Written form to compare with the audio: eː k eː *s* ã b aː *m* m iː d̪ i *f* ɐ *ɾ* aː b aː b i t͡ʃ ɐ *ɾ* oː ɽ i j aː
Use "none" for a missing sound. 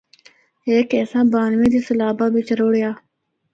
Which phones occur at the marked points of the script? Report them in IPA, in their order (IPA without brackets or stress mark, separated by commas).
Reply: s, n, s, l, ɾ